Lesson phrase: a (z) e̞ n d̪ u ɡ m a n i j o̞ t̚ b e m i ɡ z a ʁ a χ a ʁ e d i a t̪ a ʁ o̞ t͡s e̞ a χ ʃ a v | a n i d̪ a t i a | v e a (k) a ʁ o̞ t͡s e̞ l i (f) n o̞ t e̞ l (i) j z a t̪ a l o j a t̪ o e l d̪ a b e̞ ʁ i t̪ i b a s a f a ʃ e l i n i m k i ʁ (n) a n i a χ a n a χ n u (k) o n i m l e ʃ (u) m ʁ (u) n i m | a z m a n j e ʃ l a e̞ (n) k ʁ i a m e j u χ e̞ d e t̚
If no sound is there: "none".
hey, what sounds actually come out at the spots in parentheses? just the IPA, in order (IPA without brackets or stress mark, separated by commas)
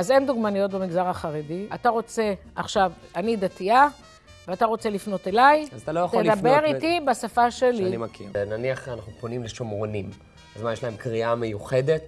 z, t, f, a, n, p, o, o, m